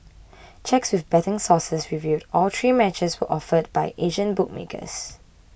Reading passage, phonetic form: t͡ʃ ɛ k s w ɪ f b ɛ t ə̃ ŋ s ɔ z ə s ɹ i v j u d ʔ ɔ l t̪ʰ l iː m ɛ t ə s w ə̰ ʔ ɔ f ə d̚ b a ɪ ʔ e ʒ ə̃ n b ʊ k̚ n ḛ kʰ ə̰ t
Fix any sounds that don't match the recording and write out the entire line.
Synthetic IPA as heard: t͡ʃ ɛ k s w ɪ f b ɛ t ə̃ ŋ s ɔ s ə s ɹ i v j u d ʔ ɔ l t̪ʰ ɹ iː m ɛ t͡ʃ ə s w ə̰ ʔ ɔ f ə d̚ b a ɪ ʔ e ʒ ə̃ n b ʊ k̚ m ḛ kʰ ə̰ s

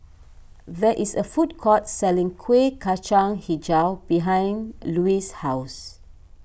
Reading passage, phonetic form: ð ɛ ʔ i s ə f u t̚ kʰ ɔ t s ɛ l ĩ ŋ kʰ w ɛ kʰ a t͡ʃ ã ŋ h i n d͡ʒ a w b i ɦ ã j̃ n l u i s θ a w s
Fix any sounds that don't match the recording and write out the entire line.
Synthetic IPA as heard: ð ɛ ʔ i s ə f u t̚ kʰ ɔ t s ɛ l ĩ ŋ kʰ w e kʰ a t͡ʃ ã ŋ h i d͡ʒ a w b i ɦ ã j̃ n l u i s h a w s

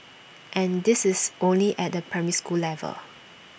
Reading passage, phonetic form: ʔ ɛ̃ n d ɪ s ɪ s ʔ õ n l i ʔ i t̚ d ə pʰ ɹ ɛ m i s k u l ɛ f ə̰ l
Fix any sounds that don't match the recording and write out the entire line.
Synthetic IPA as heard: ʔ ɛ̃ n d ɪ s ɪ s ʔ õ n l i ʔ ɛ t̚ d ə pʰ ɹ ɛ m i s k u l ɛ v ə̰ l

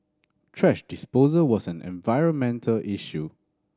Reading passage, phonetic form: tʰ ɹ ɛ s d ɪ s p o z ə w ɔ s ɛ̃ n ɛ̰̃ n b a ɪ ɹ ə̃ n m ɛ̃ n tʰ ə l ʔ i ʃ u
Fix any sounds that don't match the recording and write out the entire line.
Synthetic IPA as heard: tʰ ɹ ɛ ʃ d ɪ s p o z ə w ɔ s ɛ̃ n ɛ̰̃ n v a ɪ ɹ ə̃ n m ɛ̃ n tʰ ə l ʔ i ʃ u

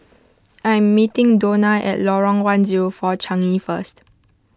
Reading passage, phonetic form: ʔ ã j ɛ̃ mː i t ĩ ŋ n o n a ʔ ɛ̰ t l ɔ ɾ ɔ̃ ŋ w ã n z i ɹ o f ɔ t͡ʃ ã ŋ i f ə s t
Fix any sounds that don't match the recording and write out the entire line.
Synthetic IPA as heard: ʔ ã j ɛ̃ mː i t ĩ ŋ d o n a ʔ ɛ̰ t l ɔ ɹ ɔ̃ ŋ w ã n z i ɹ o f ɔ t͡ʃ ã ŋ i f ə s t

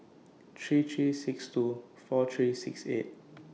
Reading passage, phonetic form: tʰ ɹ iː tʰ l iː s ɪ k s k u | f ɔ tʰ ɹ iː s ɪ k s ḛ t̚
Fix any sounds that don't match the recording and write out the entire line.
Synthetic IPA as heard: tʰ ɹ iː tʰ ɹ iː s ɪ k s t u | f ɔ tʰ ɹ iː s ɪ k s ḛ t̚

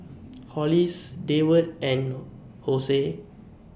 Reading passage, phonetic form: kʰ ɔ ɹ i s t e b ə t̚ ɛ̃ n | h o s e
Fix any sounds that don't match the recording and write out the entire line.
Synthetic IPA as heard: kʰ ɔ l i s d e w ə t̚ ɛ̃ n | h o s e

